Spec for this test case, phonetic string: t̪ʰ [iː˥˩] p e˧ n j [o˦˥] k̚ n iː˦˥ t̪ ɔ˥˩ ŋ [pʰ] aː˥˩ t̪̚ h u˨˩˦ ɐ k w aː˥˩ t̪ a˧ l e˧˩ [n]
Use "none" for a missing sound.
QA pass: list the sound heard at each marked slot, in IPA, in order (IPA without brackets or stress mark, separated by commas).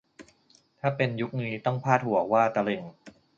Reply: aː˥˩, u˦˥, pʰ, ŋ